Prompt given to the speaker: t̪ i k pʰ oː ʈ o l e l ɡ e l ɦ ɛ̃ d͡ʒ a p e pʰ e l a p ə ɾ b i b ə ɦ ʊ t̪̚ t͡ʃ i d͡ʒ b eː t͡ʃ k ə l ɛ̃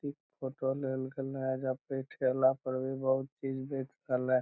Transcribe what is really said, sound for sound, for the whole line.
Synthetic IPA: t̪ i k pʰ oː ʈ o l e l ɡ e l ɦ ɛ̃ d͡ʒ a p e ʈʰ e l a p ə ɾ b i b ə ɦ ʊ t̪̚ t͡ʃ i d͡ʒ b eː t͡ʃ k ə l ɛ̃